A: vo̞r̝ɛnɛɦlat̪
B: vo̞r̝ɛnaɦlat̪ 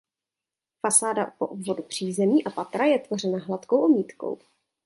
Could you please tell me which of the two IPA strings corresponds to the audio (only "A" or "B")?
B